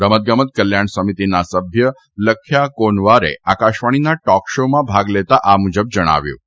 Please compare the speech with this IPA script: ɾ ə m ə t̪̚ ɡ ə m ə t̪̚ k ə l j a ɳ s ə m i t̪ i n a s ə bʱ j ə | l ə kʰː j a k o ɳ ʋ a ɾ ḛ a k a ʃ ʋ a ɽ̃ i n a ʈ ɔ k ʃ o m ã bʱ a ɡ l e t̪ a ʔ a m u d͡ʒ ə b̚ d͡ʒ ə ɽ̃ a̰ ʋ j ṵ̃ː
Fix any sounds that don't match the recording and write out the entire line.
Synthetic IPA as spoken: ɾ ə m ə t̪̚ ɡ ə m ə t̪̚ k ə l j a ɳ s ə m i t̪ i n a s ə bʱ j ə | l ə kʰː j a k o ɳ ʋ a ɾ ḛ a k a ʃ ʋ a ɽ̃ i n a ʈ ɔ k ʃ o m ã bʱ a ɡ l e t̪ a ʔ a m u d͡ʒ ə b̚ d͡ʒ ə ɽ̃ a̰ ʋ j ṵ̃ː